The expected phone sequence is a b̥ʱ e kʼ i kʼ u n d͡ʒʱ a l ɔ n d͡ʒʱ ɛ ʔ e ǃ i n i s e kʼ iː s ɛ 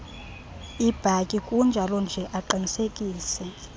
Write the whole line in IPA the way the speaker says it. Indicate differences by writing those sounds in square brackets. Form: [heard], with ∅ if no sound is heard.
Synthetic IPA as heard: [i] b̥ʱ [a] kʼ i kʼ u n d͡ʒʱ a l ɔ n d͡ʒʱ ɛ ʔ [a] ǃ i n i s e kʼ iː s ɛ